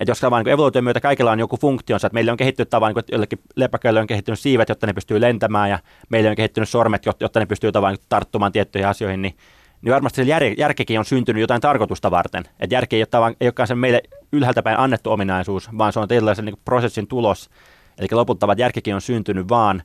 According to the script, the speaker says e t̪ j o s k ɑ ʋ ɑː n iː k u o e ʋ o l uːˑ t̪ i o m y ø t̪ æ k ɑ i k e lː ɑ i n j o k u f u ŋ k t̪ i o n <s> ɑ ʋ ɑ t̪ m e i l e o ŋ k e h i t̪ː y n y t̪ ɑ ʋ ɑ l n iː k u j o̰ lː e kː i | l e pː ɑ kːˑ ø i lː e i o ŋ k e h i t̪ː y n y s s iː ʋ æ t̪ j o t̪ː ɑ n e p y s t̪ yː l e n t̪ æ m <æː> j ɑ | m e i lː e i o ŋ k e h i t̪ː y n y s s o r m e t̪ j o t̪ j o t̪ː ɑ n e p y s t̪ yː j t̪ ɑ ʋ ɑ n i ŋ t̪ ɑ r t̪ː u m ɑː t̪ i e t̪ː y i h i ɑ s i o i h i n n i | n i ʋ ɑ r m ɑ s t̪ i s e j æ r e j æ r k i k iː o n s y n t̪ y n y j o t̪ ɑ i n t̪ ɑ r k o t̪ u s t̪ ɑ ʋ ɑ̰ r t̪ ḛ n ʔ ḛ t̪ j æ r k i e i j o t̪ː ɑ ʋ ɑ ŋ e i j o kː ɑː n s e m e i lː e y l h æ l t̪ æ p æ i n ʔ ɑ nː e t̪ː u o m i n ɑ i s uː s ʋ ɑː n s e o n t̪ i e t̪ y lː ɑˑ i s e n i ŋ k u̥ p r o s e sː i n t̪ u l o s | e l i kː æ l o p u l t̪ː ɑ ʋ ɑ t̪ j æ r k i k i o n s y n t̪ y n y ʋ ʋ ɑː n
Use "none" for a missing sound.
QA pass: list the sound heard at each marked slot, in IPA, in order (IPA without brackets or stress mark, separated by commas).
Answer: s, æː